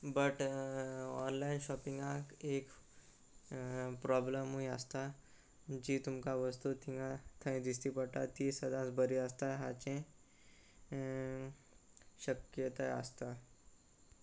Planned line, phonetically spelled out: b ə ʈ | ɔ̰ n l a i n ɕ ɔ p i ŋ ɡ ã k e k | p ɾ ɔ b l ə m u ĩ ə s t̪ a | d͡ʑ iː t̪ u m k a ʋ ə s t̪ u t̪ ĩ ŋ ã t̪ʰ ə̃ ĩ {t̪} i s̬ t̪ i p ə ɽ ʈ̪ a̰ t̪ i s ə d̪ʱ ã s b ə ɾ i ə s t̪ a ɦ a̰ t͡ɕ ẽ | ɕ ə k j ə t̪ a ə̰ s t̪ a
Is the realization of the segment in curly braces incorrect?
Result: yes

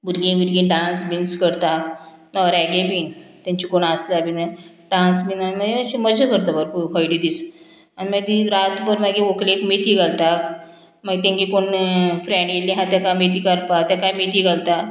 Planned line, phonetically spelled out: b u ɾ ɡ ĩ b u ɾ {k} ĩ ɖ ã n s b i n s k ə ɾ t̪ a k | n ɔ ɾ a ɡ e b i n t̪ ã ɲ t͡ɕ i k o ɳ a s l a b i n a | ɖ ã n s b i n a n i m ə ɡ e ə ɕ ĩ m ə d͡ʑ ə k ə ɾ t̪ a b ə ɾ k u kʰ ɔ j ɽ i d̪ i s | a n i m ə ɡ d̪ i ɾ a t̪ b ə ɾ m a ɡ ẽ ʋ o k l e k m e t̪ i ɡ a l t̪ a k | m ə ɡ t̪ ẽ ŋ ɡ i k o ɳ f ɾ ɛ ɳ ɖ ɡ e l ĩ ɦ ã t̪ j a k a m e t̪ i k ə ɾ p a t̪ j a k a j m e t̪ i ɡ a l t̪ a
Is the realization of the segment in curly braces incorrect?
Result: yes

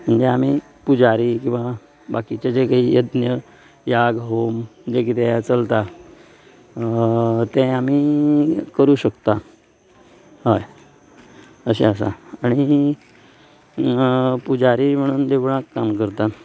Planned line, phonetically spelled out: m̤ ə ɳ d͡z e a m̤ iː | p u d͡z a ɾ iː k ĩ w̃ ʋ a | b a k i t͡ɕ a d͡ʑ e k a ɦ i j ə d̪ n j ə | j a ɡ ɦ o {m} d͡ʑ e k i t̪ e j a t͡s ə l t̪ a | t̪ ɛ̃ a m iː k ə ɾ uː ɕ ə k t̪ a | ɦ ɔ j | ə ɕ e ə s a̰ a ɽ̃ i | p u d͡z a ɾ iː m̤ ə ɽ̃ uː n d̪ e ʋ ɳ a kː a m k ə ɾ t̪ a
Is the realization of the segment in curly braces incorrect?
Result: no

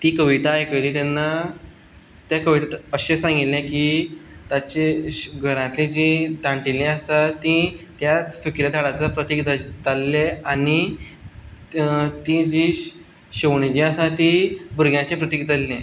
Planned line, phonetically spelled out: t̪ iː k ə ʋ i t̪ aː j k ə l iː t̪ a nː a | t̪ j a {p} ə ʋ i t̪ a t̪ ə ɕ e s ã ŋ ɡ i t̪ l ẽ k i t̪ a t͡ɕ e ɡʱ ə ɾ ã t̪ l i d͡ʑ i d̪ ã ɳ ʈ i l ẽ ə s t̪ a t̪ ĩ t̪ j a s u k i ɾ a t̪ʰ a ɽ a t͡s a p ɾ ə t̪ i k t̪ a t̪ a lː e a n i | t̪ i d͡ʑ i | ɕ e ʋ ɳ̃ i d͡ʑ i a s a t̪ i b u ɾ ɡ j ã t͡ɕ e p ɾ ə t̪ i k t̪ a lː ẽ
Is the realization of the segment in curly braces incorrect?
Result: yes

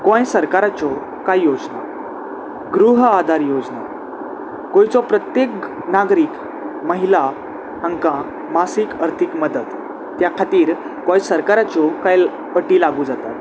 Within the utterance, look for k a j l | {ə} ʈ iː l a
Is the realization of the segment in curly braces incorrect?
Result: no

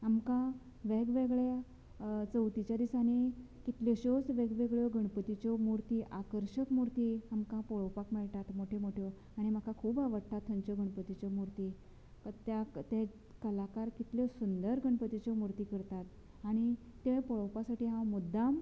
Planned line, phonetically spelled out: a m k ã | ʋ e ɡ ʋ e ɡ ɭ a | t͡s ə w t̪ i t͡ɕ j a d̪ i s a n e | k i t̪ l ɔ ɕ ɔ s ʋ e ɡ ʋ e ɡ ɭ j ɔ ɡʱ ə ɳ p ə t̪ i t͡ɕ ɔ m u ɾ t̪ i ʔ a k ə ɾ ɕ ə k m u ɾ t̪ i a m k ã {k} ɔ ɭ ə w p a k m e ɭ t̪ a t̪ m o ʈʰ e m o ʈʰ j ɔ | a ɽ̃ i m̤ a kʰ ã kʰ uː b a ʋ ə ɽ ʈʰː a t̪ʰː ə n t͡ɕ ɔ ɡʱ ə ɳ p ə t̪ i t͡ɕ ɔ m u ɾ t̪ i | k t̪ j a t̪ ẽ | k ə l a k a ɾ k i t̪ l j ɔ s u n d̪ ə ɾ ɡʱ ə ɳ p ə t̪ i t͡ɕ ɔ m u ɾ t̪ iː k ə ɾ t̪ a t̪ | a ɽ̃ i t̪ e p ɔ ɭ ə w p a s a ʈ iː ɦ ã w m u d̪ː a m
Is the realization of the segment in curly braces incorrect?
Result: yes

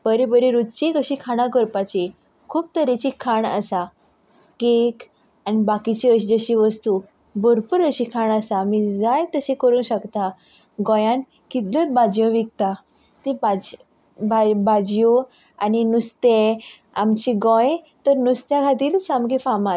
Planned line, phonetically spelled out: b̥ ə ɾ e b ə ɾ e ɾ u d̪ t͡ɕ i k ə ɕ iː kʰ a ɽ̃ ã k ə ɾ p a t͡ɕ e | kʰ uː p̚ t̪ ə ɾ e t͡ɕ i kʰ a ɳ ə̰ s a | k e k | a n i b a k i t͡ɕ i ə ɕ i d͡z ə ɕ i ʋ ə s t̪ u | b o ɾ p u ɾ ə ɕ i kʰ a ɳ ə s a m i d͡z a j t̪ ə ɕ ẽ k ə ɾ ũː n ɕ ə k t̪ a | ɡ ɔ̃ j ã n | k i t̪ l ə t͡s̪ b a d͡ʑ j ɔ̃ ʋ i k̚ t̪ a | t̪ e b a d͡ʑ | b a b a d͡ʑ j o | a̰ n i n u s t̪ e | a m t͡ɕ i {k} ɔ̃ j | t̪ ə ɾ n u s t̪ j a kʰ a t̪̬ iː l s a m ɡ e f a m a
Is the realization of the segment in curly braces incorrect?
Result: yes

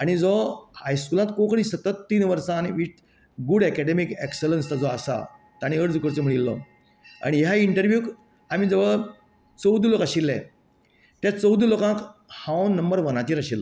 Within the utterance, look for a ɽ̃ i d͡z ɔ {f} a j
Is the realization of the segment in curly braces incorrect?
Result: yes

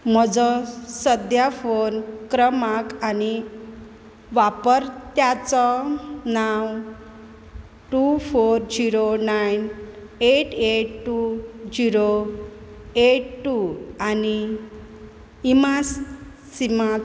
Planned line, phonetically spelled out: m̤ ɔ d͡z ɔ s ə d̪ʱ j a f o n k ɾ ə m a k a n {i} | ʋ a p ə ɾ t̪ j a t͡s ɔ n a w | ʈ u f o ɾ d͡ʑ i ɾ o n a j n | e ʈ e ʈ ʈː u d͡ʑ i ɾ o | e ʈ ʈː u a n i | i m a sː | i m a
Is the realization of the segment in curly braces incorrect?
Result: no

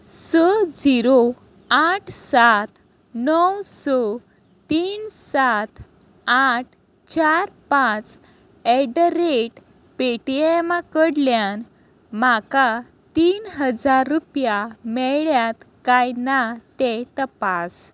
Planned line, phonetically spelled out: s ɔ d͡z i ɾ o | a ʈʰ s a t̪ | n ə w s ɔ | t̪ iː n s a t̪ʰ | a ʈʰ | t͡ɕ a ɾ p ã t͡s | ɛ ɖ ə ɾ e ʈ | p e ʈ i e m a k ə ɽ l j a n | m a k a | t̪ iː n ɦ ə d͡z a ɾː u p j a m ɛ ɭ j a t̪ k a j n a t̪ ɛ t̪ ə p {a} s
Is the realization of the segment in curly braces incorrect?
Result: no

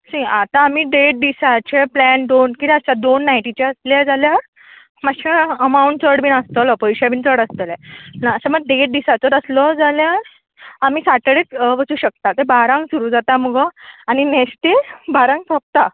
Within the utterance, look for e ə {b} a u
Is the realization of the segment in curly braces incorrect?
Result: yes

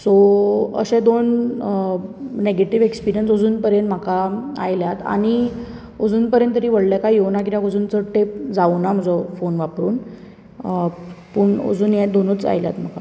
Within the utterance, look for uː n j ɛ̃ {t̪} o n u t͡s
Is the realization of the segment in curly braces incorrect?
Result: yes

